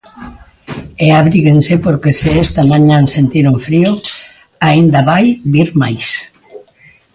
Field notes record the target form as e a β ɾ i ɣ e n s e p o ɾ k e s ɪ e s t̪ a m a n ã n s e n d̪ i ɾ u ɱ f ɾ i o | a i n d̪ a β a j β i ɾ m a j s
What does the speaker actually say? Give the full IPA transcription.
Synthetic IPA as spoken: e a β ɾ i ɣ e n s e p o ɾ k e s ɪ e s t̪ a m a ɲ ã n s e n t̪ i ɾ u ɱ f ɾ i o | a i n d̪ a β a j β i ɾ m a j s